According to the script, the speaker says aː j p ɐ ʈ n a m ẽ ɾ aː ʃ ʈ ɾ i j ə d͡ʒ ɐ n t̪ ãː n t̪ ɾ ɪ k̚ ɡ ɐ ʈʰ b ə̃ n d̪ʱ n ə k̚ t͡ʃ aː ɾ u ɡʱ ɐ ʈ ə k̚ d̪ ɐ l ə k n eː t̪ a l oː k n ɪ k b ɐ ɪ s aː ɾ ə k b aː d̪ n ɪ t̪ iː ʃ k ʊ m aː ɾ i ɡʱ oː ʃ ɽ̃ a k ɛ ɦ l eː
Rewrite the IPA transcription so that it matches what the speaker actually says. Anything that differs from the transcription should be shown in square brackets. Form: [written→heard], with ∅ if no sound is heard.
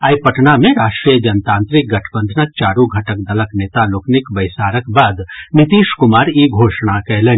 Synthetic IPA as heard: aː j p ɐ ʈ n a m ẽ ɾ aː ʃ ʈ ɾ i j ə d͡ʒ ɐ n t̪ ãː n t̪ ɾ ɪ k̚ ɡ ɐ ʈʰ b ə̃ n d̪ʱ n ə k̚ t͡ʃ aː ɾ u ɡʱ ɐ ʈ ə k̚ d̪ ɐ l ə k n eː t̪ a l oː k n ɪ k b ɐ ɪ s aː ɾ ə k b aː d̪ n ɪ t̪ iː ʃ k ʊ m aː ɾ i ɡʱ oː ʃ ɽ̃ a k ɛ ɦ l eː